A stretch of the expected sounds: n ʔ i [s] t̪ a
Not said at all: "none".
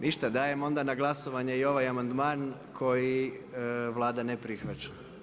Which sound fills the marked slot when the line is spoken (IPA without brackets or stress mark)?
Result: ʃ